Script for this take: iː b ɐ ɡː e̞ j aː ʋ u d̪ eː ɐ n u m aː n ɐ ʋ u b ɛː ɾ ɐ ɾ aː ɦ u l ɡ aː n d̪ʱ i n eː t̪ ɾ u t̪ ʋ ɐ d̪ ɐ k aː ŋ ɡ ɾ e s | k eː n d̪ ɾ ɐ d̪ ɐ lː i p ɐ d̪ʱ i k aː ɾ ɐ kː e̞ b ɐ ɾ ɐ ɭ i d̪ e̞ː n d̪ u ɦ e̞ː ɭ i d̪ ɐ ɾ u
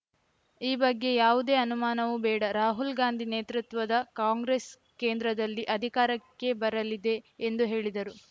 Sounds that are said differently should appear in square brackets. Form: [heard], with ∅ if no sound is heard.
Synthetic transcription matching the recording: iː b ɐ ɡː e̞ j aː ʋ u d̪ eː ɐ n u m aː n ɐ ʋ u b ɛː [ɽ] ɐ ɾ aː ɦ u l ɡ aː n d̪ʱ i n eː t̪ ɾ u t̪ ʋ ɐ d̪ ɐ k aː ŋ ɡ ɾ e s | k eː n d̪ ɾ ɐ d̪ ɐ lː i [ʔ] ɐ d̪ʱ i k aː ɾ ɐ kː e̞ b ɐ ɾ ɐ [l] i d̪ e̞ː n d̪ u ɦ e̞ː ɭ i d̪ ɐ ɾ u